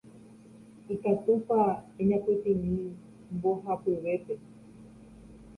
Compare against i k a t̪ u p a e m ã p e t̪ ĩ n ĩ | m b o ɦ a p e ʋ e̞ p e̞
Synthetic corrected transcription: i k a t̪ u p a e ɲ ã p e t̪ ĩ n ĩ | m b o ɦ a p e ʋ e̞ p e̞